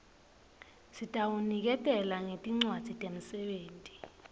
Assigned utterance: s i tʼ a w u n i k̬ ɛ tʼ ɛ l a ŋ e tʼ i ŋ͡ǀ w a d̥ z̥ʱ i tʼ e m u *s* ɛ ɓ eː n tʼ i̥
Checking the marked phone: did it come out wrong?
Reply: no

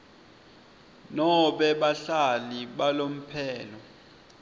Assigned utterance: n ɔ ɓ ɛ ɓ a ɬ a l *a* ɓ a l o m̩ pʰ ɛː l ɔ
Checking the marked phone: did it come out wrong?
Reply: yes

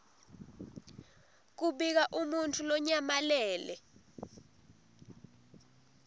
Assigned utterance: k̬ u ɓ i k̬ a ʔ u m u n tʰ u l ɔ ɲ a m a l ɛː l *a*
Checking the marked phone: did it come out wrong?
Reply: yes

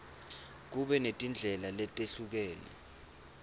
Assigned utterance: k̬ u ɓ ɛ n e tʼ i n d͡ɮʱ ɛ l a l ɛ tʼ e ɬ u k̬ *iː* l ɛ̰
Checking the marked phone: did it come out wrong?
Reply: yes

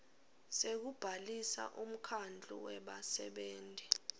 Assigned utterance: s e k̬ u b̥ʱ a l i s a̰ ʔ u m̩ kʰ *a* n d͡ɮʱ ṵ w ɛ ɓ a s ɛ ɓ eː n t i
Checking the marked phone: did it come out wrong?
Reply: no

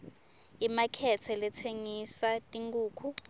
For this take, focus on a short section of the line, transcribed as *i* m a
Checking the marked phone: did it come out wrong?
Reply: no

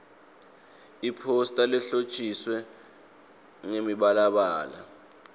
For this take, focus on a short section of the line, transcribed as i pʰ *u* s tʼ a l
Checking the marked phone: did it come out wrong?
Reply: yes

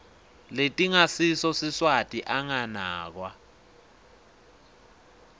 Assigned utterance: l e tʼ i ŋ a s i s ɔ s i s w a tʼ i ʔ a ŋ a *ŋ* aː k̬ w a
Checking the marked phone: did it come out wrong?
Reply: yes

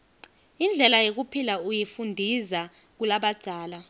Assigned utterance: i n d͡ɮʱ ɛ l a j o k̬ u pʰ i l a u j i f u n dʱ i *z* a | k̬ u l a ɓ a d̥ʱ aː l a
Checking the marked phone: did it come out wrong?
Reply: no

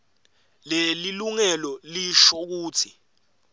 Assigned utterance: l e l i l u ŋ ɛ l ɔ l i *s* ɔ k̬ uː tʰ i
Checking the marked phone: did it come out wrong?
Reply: yes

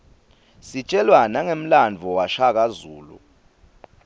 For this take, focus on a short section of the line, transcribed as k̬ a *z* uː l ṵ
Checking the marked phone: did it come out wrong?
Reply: no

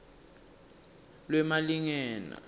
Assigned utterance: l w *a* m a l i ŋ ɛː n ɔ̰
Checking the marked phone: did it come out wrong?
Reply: yes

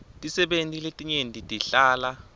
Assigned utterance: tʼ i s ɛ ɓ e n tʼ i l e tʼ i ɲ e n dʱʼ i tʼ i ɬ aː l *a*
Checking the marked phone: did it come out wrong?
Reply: no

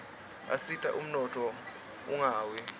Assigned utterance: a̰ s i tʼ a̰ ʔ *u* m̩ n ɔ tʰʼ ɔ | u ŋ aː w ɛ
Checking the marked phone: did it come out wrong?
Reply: no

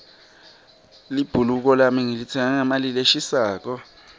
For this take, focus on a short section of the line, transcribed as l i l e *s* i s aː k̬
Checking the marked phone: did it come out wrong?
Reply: yes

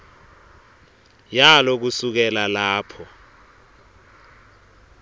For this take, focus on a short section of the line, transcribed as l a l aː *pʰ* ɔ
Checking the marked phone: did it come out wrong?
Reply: no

